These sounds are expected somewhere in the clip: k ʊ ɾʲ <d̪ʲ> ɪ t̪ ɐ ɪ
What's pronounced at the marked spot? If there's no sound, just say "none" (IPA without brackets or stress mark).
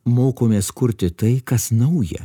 t̪ʲ